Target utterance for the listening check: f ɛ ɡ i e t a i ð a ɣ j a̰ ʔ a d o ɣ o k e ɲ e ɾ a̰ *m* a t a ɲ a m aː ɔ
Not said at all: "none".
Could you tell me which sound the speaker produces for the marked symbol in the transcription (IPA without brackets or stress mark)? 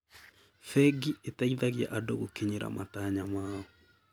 m